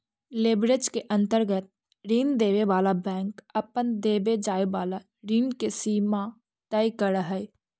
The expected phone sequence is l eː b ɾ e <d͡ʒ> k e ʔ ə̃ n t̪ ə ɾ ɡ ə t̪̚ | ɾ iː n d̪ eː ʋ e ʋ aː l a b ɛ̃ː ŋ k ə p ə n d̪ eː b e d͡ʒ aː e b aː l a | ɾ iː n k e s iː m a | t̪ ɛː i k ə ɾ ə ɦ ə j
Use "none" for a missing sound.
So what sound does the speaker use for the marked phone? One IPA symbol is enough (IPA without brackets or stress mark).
d͡ʒ